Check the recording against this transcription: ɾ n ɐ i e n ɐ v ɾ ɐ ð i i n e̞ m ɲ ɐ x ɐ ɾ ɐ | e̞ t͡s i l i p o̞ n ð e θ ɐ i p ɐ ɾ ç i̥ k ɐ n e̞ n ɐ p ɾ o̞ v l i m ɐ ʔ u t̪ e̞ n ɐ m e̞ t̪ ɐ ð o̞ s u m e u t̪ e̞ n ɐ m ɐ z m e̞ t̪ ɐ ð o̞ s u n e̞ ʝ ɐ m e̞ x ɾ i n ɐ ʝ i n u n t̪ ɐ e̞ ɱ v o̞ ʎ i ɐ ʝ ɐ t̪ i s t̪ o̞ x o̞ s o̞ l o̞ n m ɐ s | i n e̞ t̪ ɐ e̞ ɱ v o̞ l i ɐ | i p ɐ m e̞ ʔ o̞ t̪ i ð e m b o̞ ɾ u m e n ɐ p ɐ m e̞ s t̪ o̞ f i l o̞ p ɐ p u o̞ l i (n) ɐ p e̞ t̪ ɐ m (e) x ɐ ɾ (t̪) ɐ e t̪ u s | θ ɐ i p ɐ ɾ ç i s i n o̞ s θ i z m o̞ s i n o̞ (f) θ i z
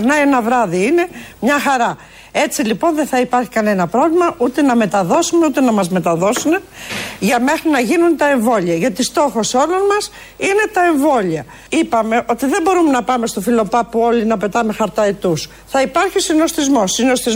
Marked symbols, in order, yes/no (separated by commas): yes, yes, yes, no